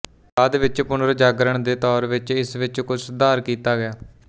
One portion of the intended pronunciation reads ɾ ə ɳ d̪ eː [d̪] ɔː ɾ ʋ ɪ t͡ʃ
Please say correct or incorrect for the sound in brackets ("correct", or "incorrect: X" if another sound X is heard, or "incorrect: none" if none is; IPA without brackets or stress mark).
incorrect: t̪